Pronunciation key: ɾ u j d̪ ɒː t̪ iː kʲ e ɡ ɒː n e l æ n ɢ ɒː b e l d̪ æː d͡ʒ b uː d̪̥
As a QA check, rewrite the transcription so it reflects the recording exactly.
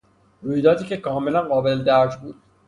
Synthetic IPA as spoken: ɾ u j d̪ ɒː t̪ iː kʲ e k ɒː m e l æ n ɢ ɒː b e l d̪ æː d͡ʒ b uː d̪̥